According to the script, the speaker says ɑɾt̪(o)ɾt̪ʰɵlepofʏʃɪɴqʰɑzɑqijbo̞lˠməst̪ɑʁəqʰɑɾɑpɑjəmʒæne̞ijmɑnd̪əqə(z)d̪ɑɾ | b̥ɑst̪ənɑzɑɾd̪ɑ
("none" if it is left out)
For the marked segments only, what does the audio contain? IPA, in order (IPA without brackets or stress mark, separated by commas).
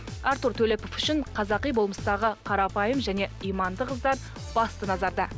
u, z